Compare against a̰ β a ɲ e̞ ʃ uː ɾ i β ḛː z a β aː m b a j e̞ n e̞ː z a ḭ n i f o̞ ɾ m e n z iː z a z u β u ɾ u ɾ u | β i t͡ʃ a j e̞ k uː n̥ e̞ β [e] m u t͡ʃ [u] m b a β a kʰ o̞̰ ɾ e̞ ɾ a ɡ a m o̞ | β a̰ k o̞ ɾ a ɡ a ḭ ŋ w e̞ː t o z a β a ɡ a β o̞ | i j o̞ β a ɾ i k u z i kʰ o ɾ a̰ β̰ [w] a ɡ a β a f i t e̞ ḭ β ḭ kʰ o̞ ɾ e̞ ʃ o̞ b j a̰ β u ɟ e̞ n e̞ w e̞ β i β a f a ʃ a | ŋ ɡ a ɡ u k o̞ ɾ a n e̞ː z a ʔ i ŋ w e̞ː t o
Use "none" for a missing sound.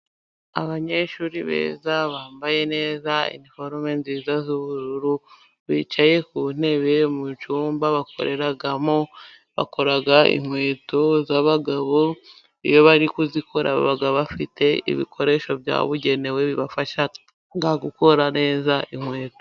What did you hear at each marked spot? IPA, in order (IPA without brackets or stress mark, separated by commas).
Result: e, uː, β